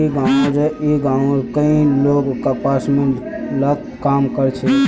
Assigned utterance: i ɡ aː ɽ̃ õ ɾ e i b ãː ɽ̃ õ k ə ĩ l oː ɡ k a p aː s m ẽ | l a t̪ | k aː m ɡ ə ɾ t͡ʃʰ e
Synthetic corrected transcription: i ɡ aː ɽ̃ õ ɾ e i ɡ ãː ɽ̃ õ k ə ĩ l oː ɡ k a p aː s m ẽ | l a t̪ | k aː m k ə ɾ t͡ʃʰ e